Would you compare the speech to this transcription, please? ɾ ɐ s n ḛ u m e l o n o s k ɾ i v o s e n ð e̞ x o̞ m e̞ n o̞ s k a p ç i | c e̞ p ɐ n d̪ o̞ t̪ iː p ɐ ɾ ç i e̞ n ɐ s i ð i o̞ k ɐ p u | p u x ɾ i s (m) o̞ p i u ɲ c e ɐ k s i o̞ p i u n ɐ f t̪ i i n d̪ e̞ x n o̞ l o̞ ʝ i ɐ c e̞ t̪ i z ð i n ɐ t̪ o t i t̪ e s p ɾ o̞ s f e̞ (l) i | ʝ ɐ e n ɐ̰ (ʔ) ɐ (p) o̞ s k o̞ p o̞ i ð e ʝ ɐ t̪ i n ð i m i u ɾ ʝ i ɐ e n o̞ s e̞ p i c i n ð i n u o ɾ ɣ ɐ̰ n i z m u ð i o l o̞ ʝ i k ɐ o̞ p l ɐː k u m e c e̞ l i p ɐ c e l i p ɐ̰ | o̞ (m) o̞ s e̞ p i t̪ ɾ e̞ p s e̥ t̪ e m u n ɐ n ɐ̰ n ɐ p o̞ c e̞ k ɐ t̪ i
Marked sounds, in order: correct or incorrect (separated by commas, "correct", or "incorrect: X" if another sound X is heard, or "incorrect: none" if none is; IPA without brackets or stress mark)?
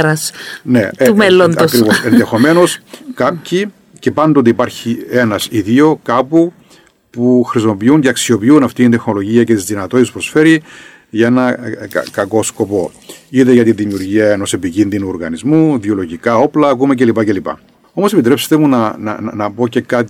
correct, incorrect: ɾ, incorrect: k, incorrect: k, correct